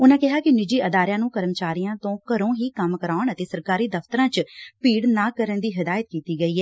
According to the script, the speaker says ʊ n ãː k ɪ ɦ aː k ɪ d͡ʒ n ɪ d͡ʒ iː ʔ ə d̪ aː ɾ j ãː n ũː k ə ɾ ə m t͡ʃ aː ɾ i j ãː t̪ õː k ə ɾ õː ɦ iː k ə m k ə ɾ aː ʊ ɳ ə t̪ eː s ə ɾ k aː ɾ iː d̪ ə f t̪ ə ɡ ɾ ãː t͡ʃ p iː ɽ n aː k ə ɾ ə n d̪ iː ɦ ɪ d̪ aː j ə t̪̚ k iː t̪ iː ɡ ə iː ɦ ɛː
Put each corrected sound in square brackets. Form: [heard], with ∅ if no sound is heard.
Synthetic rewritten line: ʊ n ãː k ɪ ɦ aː k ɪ [∅] n ɪ d͡ʒ iː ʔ ə d̪ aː ɾ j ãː n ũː k ə ɾ ə m t͡ʃ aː ɾ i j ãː t̪ õː k ə ɾ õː ɦ iː k ə m k ə ɾ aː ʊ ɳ ə t̪ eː s ə ɾ k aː ɾ iː d̪ ə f t̪ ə [∅] ɾ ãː t͡ʃ p iː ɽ n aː k ə ɾ ə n d̪ iː ɦ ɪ d̪ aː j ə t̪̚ k iː t̪ iː ɡ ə iː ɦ ɛː

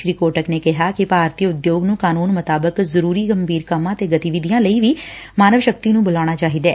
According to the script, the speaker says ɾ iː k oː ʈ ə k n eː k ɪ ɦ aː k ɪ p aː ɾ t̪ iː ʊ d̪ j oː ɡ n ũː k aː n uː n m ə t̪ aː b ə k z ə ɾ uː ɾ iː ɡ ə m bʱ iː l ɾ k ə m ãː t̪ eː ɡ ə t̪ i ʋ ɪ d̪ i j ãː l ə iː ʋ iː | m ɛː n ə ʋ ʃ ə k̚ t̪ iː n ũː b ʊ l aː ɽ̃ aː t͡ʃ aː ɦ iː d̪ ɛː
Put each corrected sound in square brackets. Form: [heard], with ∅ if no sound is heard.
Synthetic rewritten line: ɾ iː k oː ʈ ə k n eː k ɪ ɦ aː k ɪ p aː ɾ t̪ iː ʊ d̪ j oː ɡ n ũː k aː n uː n m ə t̪ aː b ə k z ə ɾ uː ɾ iː ɡ ə m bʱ iː [∅] ɾ k ə m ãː t̪ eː ɡ ə t̪ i ʋ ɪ d̪ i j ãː l ə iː ʋ iː | m [aː] n ə ʋ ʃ ə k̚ t̪ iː n ũː b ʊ l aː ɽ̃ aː t͡ʃ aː ɦ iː d̪ ɛː

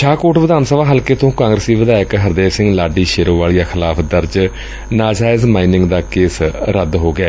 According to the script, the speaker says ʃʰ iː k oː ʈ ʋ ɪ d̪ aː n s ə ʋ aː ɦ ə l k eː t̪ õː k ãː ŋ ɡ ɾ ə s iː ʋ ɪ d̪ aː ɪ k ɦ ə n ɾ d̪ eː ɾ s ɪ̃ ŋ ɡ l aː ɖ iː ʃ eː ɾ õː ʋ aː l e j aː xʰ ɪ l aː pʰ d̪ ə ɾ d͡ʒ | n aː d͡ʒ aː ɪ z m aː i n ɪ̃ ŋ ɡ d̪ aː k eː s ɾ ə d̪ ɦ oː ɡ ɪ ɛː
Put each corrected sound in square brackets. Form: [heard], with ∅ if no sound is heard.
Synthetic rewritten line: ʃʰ [aː] k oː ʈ ʋ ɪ d̪ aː n s ə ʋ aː ɦ ə l k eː t̪ õː k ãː ŋ ɡ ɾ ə s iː ʋ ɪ d̪ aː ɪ k ɦ ə [∅] ɾ d̪ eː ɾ s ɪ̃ ŋ ɡ l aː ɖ iː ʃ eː ɾ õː ʋ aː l [i] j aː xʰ ɪ l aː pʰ d̪ ə ɾ d͡ʒ | n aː d͡ʒ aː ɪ z m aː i n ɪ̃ ŋ ɡ d̪ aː k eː s ɾ ə d̪ ɦ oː ɡ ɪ ɛː

